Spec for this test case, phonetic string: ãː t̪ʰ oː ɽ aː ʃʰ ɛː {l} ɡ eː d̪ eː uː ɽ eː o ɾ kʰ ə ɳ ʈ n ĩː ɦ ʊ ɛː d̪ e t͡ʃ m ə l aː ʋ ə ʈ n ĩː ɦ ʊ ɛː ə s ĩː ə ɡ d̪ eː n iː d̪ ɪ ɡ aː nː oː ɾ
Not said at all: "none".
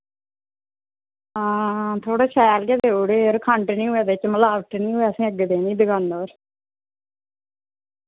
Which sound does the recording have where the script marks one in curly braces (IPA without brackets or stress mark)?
l